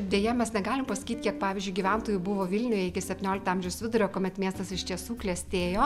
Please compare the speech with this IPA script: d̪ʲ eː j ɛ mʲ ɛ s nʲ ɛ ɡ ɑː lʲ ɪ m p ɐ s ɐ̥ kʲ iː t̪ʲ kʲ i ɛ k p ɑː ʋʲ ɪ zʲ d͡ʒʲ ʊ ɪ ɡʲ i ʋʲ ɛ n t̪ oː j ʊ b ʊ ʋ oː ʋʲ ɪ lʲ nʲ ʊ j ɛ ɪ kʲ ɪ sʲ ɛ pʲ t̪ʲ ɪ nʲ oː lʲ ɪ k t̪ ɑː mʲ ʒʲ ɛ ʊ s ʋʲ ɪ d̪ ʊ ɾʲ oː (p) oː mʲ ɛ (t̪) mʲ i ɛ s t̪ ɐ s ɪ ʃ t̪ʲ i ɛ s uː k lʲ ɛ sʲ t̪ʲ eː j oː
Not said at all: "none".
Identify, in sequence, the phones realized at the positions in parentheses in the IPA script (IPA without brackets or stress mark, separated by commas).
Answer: k, t̪